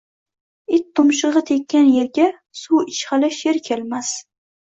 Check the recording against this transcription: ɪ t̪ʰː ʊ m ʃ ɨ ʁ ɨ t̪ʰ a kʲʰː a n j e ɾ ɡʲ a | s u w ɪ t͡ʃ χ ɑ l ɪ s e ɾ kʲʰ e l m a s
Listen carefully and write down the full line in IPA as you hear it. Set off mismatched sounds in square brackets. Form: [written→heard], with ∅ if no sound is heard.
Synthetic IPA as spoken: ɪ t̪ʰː ʊ m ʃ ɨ ʁ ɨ t̪ʰ [a→e] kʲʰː a n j e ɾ ɡʲ a | s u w ɪ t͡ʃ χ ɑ l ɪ [s→ʃ] e ɾ kʲʰ e l m a s